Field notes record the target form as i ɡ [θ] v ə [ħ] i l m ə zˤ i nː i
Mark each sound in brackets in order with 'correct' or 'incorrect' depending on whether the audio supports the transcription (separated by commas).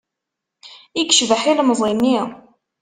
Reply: incorrect, correct